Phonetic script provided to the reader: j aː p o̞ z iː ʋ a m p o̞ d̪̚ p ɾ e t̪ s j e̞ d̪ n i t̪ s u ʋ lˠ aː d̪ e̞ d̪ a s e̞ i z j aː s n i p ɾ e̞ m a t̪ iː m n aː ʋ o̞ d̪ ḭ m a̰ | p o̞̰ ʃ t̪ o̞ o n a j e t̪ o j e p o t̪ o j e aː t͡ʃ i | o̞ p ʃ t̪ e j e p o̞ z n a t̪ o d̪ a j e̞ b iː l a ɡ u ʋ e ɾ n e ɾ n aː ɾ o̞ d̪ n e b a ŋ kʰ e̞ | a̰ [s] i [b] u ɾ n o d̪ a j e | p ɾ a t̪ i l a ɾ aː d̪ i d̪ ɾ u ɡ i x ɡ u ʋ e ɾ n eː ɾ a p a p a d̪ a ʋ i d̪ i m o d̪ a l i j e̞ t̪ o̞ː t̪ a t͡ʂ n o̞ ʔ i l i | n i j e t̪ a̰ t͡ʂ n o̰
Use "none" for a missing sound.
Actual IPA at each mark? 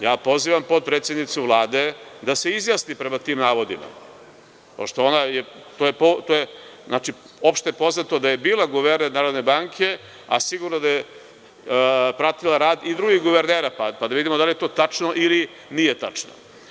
s, ɡ

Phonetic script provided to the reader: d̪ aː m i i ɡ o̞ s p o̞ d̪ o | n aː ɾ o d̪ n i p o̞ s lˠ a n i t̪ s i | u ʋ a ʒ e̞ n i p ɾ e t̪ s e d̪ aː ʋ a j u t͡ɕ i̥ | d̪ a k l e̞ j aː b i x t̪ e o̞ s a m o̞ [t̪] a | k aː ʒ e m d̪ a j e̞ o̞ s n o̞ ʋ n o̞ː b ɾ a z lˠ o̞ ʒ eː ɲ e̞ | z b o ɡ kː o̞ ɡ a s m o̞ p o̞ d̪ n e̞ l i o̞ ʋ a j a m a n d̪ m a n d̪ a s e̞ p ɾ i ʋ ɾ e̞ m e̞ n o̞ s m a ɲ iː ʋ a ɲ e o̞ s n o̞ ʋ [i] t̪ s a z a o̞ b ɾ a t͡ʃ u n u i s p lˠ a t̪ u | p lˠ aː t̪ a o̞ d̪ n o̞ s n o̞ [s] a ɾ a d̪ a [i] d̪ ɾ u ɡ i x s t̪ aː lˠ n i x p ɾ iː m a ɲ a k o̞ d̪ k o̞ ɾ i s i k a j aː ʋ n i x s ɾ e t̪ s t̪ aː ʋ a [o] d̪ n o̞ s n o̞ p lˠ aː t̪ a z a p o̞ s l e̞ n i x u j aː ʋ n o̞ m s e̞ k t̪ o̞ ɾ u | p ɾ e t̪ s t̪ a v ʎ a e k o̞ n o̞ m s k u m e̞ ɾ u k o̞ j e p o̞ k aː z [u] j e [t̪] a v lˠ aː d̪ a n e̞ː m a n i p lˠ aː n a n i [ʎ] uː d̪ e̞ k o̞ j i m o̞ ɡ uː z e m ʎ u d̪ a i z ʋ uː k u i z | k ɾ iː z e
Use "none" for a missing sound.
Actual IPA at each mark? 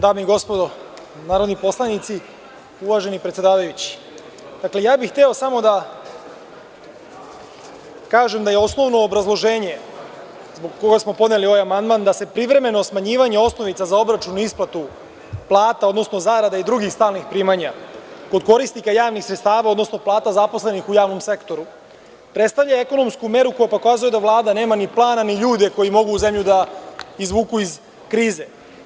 d̪, i, z, i, o, u, d̪, ʎ

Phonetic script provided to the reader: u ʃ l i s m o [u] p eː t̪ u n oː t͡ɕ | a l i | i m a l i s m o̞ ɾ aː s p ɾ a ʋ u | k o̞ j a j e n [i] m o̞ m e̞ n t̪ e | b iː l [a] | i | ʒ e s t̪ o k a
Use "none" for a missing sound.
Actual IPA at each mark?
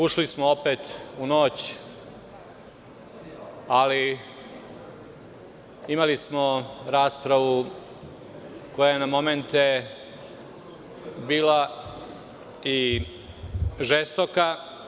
o, a, a

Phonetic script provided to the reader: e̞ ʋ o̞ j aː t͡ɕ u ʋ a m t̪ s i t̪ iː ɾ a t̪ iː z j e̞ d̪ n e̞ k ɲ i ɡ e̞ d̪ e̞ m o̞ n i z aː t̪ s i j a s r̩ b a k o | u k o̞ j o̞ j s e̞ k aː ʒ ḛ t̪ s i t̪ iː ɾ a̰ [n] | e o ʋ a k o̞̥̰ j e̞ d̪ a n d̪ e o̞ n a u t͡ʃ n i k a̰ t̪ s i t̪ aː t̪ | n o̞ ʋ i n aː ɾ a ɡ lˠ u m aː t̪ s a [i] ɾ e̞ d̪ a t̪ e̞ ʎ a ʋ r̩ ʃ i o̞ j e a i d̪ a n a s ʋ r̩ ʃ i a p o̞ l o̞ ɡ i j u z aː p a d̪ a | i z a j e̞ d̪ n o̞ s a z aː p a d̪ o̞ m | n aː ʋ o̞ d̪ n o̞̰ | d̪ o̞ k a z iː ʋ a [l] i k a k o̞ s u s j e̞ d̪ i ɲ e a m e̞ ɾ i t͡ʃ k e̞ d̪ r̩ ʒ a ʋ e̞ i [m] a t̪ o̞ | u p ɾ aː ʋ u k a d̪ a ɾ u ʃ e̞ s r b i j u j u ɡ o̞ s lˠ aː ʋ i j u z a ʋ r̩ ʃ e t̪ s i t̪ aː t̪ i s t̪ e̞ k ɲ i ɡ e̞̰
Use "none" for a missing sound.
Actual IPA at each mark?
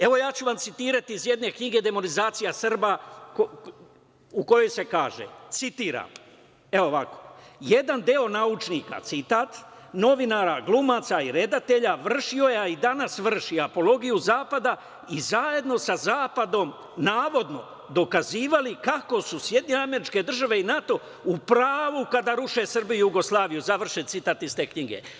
m, i, l, n

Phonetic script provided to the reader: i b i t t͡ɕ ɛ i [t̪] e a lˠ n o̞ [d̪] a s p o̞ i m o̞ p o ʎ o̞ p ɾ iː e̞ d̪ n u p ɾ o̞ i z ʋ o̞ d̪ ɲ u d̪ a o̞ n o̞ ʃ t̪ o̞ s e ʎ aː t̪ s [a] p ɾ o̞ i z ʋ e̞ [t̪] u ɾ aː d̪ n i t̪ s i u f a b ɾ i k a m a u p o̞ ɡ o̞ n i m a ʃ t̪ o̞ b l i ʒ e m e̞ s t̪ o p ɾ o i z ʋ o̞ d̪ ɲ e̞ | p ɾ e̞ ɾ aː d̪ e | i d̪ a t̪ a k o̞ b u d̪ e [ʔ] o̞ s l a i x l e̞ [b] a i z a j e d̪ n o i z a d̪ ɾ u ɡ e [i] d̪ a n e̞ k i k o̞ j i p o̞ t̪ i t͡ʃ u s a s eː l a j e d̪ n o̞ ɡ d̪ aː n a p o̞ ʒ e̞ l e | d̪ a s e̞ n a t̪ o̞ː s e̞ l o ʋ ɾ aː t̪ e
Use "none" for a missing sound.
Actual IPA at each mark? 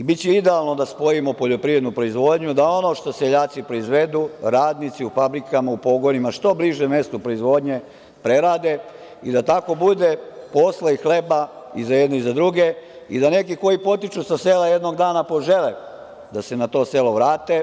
d̪, d̪, i, d̪, p, b, i

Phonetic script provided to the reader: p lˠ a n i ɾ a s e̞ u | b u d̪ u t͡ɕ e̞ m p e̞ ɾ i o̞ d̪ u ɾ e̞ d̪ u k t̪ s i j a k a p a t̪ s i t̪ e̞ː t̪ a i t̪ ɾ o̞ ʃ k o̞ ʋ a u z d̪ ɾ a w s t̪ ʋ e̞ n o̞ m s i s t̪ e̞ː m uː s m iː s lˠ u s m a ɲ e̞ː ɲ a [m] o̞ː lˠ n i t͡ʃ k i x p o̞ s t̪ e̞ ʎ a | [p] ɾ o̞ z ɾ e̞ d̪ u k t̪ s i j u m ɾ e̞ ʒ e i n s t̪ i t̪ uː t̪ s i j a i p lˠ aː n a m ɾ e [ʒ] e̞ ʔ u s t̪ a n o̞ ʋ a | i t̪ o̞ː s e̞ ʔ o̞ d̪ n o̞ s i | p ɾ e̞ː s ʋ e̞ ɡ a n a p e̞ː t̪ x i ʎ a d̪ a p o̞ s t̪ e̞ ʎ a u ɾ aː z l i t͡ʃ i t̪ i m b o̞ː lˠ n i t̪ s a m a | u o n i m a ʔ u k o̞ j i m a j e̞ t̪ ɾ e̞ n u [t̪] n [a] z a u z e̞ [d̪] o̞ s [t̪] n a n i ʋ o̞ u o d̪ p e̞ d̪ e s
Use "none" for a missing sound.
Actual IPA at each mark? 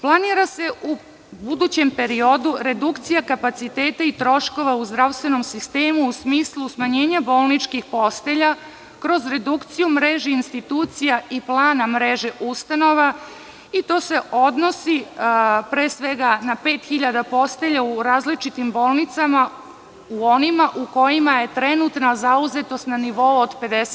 b, k, ʒ, t̪, a, t̪, t̪

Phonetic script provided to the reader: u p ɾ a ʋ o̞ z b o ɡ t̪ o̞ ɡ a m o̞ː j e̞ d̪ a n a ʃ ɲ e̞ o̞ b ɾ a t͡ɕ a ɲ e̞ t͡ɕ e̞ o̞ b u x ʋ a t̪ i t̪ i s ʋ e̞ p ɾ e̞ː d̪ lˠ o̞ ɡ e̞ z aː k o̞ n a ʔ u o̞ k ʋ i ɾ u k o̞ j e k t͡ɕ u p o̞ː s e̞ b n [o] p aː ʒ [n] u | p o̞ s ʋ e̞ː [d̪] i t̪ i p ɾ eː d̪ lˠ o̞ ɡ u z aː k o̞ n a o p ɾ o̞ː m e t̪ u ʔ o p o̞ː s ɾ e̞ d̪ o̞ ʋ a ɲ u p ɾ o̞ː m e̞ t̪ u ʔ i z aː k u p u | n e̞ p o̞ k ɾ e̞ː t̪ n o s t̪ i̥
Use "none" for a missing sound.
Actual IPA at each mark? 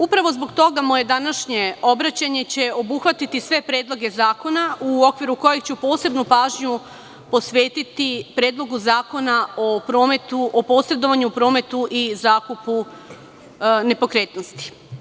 u, ɲ, t̪

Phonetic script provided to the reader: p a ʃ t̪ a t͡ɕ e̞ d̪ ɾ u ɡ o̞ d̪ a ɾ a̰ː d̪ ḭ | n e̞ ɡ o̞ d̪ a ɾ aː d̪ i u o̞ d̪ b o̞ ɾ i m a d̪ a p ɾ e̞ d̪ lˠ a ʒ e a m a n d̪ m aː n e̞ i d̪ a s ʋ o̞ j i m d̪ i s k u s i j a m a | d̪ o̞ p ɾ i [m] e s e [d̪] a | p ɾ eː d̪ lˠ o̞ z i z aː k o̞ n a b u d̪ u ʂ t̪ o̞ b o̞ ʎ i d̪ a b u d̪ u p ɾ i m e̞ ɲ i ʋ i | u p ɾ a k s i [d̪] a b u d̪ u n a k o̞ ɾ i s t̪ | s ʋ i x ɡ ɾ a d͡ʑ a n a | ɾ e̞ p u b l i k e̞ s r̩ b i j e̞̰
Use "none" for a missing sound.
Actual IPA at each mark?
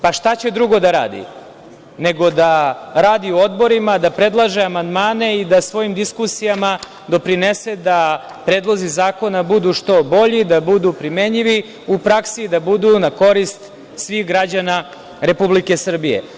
n, d̪, d̪

